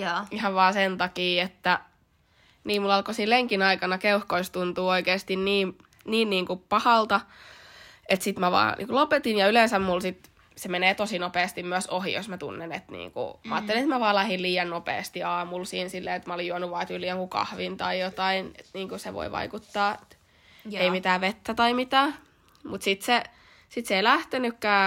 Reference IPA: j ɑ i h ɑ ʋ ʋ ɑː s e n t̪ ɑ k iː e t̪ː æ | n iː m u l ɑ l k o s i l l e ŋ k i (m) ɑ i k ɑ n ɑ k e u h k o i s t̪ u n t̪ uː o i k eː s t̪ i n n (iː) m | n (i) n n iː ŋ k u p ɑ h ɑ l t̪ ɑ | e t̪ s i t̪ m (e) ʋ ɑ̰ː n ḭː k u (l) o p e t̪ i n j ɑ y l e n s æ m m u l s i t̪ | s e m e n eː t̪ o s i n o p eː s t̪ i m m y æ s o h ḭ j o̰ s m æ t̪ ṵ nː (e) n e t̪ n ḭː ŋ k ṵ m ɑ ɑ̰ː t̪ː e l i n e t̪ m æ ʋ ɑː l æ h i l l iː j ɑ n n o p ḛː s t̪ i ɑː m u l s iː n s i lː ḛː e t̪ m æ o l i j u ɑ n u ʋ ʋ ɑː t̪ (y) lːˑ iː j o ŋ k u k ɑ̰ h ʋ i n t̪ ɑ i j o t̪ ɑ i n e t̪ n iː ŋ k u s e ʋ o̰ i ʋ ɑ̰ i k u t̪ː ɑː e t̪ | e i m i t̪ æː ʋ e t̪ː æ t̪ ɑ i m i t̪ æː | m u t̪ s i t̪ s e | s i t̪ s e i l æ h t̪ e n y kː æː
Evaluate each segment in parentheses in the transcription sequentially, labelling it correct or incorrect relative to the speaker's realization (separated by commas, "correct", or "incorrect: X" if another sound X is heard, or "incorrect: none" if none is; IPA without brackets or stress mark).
incorrect: n, correct, incorrect: iː, incorrect: æ, correct, correct, correct